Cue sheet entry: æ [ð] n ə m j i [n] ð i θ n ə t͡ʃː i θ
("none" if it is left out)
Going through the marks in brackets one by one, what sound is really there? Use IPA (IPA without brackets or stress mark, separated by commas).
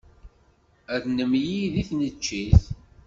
ð, none